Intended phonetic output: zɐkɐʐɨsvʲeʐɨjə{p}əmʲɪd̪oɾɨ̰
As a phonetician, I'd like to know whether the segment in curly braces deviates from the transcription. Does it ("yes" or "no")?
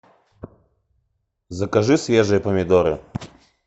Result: no